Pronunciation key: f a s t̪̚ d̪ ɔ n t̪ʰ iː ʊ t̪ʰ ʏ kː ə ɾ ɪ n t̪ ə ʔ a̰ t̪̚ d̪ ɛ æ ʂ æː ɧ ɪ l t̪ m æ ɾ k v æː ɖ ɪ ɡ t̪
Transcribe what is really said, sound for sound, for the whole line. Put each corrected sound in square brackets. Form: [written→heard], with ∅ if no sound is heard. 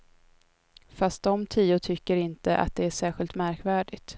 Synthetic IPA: f a s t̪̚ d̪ ɔ [n→m] t̪ʰ iː ʊ t̪ʰ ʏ kː ə ɾ ɪ n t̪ ə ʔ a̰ t̪̚ d̪ ɛ æ ʂ æː ɧ ɪ l t̪ m æ ɾ k v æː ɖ ɪ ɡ t̪